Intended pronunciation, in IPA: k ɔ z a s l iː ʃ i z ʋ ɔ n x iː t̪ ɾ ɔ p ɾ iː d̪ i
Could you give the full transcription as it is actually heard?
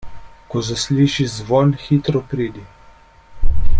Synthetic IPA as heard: k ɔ z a s l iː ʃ i z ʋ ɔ n x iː t̪ ɾ ɔ p ɾ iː d̪ i